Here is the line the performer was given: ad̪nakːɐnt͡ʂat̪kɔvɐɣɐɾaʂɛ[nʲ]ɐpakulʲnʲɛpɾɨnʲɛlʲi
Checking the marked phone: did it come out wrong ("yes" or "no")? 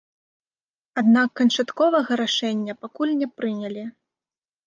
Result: yes